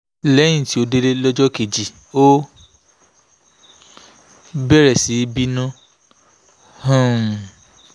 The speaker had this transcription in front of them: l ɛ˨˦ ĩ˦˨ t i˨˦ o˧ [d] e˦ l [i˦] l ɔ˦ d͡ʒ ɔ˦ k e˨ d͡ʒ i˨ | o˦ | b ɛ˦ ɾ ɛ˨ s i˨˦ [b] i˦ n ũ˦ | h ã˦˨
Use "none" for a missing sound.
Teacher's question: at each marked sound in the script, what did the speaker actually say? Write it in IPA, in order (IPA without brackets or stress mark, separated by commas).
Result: d, e˦, b